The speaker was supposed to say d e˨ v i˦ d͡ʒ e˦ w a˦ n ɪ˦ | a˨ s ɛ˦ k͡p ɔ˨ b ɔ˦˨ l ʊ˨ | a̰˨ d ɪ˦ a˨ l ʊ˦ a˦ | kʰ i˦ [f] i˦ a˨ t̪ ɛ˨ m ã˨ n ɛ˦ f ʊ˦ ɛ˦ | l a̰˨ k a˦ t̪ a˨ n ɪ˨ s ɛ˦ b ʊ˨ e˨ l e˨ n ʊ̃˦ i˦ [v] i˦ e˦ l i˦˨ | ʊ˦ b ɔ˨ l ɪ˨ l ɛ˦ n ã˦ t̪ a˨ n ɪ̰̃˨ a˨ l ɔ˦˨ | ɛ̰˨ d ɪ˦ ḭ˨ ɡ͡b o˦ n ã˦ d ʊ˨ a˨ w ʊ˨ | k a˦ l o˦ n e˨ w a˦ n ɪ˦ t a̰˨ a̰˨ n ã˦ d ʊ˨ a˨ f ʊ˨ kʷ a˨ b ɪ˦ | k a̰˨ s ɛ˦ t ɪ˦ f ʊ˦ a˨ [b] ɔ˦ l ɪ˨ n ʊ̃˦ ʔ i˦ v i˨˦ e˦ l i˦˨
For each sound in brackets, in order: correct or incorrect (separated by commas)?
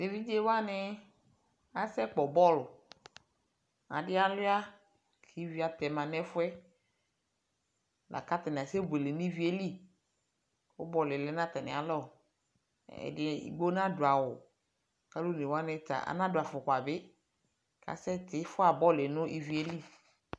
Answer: incorrect, correct, correct